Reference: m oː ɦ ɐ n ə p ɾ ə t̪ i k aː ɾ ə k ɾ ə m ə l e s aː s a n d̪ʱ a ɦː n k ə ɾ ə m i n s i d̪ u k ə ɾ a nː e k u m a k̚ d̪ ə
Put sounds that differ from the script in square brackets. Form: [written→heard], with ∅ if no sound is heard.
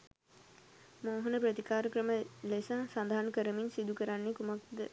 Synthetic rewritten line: m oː ɦ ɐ n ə p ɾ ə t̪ i k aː ɾ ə k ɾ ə m ə l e s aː s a n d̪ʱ a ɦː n k ə ɾ ə m i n s i d̪ u k ə ɾ a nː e k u m a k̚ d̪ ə